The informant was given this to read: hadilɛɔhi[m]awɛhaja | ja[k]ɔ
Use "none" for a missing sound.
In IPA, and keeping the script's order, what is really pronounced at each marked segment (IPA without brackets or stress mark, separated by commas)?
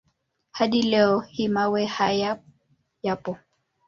m, p